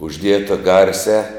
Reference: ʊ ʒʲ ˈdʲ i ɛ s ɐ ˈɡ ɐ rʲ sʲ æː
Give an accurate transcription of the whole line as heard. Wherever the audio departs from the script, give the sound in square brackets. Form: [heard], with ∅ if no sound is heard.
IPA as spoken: ʊ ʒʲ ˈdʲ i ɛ [t] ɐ ˈɡ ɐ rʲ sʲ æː